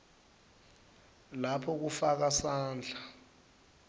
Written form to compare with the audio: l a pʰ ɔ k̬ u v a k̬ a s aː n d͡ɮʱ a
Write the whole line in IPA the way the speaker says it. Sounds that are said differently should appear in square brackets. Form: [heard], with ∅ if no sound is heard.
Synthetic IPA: l a pʰ ɔ k̬ u [f] a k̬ a s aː n d͡ɮʱ a

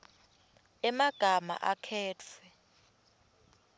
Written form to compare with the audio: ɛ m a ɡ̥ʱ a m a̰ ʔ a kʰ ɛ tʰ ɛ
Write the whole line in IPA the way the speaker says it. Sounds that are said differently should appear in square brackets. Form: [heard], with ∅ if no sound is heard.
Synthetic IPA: ɛ m a ɡ̥ʱ a m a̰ ʔ a kʰ [ɛː] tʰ ɛ

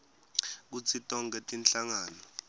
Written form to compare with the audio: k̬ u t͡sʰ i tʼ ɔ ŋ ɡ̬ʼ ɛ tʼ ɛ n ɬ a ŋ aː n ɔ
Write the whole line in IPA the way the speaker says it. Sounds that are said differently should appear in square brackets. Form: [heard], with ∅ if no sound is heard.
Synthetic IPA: k̬ u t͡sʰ i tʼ ɔ ŋ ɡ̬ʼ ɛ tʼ [i] n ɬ a ŋ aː n ɔ

